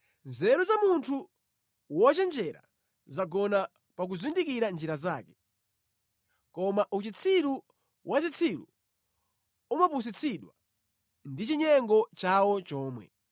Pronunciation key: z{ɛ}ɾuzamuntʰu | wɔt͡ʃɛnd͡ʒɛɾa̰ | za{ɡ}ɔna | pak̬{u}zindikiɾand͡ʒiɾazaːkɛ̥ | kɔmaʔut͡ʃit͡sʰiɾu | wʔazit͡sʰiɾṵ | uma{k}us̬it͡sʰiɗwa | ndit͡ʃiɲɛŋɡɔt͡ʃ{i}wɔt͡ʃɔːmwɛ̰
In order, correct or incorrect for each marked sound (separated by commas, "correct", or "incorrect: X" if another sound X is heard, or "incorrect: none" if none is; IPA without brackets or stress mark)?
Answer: correct, correct, correct, incorrect: p, incorrect: a